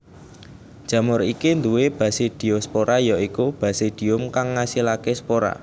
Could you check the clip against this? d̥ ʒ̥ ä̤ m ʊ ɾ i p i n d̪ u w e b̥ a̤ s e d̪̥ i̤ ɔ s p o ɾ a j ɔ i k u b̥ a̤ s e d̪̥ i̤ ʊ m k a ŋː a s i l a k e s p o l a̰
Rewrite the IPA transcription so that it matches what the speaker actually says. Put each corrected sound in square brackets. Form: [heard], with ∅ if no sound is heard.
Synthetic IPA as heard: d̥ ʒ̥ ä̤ m ʊ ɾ i [k] i n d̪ u w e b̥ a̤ s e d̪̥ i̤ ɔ s p o ɾ a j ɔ i k u b̥ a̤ s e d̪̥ i̤ ʊ m k a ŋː a s i l a k e s p o [ɾ] a̰